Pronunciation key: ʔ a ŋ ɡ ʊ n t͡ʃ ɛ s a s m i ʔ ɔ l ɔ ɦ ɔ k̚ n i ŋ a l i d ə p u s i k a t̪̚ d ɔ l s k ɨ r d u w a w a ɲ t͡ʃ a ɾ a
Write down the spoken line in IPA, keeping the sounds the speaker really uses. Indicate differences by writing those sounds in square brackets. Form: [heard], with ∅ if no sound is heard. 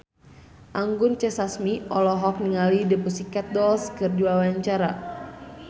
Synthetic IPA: ʔ a ŋ ɡ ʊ n t͡ʃ ɛ s a s m i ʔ ɔ l ɔ ɦ ɔ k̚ n i ŋ a l i d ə p u s i k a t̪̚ d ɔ l s k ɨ r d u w a w a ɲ t͡ʃ a ɾ a